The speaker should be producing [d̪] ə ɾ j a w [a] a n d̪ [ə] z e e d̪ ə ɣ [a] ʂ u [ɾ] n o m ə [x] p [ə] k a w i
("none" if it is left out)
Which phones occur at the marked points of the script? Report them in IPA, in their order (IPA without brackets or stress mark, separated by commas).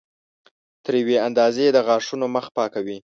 t̪, e, ɑ, ɑ, none, x, ɑ